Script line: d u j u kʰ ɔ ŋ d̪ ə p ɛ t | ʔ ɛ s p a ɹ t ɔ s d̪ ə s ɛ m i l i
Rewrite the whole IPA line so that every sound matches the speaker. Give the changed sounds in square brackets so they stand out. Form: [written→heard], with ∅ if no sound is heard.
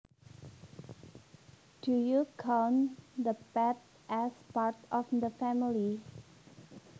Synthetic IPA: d u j u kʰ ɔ [ŋ→n] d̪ ə p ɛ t | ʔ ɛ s p a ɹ t ɔ [s→f] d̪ ə [s→f] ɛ m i l i